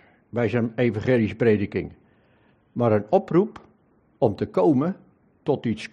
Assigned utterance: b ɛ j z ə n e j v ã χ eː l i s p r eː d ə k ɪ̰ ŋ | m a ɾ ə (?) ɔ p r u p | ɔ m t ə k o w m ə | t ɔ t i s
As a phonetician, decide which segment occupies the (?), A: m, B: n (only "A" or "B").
B